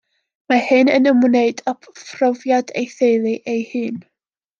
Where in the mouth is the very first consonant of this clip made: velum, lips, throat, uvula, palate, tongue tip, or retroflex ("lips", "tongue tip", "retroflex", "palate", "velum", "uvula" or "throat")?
lips